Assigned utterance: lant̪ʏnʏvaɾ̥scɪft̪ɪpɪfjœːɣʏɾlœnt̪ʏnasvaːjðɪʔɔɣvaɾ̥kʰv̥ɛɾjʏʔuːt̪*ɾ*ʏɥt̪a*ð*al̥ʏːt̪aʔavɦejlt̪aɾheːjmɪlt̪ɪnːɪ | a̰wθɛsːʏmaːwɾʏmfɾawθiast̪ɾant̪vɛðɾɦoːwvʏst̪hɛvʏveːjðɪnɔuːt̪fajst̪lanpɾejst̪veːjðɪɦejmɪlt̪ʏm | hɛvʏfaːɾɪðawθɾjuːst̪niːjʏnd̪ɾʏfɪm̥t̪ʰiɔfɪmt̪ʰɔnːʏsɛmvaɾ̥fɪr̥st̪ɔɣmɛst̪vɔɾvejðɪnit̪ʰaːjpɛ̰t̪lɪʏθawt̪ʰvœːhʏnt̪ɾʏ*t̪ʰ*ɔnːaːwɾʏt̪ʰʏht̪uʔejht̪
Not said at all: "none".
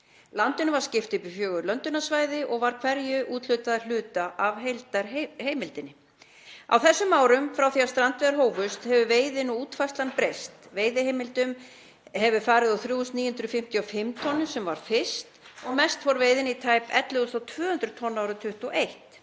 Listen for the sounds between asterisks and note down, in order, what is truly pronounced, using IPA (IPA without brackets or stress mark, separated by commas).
l, ð, t̪ʰ